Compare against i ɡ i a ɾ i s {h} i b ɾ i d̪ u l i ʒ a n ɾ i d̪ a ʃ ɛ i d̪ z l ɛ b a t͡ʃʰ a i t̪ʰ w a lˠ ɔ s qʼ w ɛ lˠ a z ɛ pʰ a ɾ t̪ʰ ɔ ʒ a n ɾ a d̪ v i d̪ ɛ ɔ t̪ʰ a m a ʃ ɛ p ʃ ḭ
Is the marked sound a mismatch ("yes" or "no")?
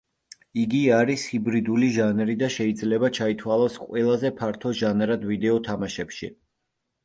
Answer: no